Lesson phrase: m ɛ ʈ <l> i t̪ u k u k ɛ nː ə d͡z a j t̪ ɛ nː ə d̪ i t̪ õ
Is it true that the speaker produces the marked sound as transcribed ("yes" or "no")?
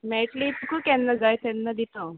yes